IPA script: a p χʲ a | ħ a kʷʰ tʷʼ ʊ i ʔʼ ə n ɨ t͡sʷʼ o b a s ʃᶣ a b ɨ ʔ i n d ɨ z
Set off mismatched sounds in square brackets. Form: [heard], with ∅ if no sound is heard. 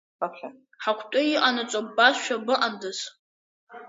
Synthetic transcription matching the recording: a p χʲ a | ħ a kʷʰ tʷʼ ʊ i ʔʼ [a] n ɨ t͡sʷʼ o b a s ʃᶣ a b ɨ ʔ [a] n d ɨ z